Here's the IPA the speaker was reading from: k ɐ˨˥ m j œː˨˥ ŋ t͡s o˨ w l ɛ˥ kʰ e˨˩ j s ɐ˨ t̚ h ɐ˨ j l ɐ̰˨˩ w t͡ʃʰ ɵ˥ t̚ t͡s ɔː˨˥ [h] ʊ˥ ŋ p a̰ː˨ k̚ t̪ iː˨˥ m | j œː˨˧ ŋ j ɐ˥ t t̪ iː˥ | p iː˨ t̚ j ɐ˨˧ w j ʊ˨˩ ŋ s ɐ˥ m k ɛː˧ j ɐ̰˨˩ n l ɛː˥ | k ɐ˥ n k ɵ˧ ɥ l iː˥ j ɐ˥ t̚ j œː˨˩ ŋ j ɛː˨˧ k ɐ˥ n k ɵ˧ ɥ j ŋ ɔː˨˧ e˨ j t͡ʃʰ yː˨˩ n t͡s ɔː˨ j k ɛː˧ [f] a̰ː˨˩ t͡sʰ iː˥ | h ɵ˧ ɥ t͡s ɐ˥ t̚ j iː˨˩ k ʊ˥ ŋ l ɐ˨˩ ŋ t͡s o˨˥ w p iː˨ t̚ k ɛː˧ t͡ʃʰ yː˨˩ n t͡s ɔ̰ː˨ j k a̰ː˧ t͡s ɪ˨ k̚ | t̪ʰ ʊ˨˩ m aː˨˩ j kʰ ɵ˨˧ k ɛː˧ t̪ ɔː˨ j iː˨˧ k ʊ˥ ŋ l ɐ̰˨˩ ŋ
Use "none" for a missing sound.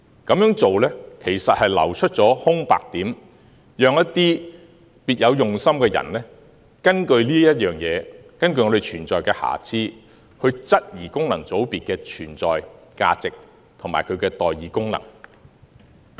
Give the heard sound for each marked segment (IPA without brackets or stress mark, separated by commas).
h, h